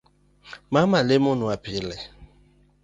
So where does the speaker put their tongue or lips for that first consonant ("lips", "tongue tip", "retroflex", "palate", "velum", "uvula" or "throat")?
lips